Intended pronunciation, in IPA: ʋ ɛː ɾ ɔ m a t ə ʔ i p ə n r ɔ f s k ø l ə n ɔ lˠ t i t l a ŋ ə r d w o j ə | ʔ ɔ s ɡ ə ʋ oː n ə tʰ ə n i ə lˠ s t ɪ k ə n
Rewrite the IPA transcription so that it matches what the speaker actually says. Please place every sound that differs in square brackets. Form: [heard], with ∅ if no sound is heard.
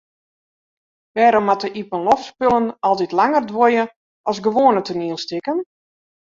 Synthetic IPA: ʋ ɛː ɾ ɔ m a t ə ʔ i p ə n [l] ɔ f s [p] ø l ə n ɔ lˠ t i t l a ŋ ə r d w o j ə | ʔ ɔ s ɡ ə ʋ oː n ə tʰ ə n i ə lˠ s t ɪ k ə n